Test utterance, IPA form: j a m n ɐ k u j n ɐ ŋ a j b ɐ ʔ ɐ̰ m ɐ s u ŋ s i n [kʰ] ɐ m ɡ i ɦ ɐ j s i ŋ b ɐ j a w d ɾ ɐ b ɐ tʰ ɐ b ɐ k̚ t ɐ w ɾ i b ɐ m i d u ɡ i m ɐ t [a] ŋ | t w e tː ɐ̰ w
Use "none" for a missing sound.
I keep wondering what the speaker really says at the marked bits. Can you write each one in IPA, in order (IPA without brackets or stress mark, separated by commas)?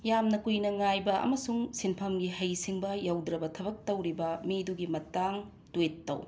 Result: pʰ, a